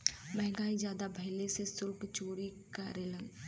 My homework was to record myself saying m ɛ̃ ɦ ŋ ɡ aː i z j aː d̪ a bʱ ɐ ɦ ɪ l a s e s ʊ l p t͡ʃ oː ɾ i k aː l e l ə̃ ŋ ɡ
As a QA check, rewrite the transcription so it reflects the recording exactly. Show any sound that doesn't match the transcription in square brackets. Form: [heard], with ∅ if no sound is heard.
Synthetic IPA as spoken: m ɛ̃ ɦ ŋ ɡ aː i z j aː d̪ a bʱ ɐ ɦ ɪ l [e] s e s ʊ l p t͡ʃ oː ɾ i k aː [ɾ] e l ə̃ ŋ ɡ